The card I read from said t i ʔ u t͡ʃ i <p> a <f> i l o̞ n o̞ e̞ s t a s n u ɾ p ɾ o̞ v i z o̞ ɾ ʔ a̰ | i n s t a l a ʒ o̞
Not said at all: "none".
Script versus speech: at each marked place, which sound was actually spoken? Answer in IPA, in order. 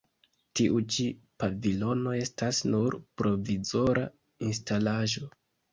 p, v

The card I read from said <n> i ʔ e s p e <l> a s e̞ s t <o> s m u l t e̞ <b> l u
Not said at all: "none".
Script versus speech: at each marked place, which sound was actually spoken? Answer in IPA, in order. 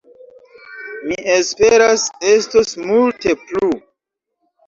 m, ɾ, o, p

